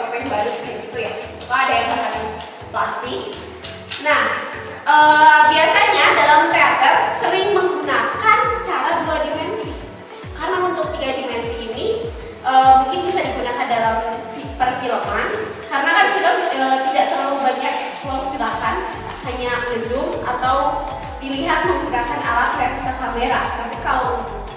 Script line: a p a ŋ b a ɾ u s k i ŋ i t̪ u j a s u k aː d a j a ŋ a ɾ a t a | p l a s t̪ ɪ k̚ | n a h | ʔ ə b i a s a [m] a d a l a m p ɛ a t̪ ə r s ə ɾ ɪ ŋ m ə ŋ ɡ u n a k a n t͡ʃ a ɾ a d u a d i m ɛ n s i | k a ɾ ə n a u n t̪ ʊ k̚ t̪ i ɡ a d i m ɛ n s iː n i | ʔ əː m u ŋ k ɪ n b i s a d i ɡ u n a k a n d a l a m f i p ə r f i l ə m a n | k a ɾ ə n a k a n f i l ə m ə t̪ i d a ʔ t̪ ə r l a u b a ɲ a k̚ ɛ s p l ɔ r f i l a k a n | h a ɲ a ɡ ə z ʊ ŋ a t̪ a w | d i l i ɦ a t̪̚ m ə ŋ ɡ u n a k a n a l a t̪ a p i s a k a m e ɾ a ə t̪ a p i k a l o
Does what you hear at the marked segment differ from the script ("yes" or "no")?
yes